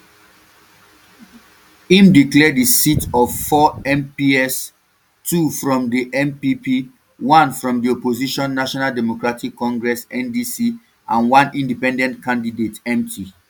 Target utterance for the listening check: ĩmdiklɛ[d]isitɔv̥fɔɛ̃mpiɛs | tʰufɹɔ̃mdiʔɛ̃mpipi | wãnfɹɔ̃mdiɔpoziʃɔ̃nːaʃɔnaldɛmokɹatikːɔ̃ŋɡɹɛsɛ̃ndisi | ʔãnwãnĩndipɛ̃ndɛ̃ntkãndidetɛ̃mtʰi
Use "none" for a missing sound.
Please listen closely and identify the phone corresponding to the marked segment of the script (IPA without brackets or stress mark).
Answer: d